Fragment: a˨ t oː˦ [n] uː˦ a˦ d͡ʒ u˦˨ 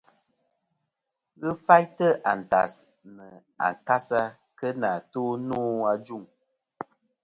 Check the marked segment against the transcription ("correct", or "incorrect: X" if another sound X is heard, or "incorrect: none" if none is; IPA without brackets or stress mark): correct